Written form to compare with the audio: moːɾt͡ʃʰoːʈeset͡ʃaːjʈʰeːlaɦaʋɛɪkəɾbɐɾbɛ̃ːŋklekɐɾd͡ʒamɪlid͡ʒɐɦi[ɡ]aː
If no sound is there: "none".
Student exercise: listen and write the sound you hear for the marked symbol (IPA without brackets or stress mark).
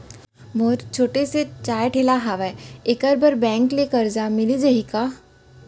k